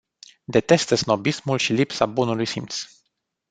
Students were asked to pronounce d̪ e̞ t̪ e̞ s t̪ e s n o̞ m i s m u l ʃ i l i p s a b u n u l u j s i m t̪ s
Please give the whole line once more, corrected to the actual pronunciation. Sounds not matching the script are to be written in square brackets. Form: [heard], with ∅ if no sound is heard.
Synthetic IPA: d̪ e̞ t̪ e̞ s t̪ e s n o̞ [b] i s m u l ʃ i l i p s a b u n u l u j s i m t̪ s